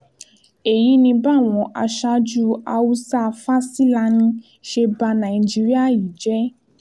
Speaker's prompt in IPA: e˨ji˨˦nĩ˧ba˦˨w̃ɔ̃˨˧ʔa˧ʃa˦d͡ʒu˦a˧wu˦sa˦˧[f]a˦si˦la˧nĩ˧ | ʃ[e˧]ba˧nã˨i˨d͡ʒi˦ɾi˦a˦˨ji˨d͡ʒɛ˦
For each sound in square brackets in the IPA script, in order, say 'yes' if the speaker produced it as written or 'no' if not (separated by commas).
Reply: yes, yes